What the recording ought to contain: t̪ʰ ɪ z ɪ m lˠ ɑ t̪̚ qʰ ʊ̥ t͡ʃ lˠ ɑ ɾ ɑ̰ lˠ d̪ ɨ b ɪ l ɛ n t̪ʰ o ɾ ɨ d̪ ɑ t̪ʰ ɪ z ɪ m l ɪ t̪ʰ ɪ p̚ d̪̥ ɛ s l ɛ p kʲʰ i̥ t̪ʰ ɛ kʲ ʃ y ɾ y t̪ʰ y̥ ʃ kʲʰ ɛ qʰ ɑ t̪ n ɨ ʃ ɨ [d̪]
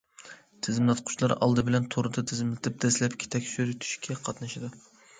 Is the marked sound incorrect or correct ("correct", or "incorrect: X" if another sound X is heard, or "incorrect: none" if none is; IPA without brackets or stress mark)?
correct